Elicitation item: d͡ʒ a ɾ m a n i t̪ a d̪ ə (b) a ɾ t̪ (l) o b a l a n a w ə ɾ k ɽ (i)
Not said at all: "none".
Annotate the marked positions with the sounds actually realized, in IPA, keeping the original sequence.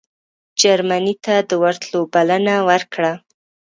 w, l, a

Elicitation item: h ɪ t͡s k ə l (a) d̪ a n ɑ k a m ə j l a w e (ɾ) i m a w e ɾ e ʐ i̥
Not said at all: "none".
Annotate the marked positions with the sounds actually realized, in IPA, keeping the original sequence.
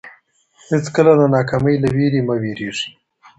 a, ɾ

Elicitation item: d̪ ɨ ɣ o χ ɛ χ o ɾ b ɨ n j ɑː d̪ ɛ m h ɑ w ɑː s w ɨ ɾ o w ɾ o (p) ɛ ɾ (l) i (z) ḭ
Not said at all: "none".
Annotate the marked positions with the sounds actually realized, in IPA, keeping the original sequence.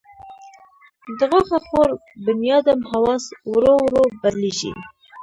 b, l, ʒ

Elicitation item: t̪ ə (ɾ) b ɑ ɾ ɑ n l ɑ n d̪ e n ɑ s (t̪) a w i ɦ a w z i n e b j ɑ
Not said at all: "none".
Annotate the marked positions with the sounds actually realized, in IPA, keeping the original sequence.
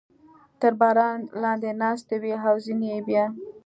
ɾ, t̪

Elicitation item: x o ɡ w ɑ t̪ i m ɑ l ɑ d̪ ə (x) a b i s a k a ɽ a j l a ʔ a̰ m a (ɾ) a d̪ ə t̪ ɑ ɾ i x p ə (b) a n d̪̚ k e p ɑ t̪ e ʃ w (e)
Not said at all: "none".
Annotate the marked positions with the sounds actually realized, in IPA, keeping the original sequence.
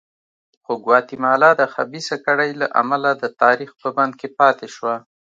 x, l, b, a

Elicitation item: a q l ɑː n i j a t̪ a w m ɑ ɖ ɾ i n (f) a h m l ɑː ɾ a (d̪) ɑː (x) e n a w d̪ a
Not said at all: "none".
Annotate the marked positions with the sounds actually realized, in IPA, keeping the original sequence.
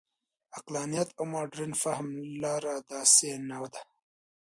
f, d̪, s

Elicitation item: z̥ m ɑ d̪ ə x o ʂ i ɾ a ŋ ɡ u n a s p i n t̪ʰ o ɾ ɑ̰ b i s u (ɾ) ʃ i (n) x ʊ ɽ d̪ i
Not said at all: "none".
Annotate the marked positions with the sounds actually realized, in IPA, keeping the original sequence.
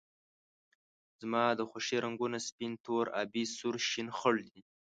ɾ, n

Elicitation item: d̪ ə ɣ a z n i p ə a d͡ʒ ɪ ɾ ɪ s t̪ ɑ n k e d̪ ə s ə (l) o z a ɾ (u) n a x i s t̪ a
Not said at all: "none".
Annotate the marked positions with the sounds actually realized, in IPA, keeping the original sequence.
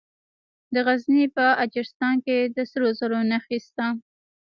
ɾ, o

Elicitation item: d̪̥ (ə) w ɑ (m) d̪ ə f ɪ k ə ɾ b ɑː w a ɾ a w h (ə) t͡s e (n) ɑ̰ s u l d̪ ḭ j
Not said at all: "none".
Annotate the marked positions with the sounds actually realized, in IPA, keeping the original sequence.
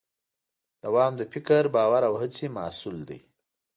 a, m, ə, m

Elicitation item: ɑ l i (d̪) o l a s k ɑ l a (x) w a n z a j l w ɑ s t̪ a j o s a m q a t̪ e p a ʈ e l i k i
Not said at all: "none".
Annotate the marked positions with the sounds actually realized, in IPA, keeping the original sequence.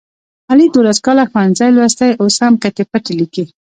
d̪, x

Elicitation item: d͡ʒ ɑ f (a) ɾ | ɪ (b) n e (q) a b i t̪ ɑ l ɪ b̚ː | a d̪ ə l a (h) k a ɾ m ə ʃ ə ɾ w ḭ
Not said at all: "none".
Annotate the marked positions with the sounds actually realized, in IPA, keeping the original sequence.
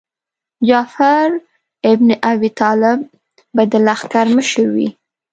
a, b, ʔ, x

